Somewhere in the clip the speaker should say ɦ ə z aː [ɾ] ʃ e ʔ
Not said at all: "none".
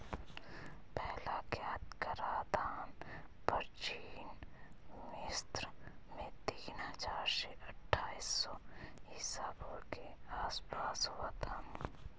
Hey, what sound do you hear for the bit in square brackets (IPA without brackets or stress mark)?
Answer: ɾ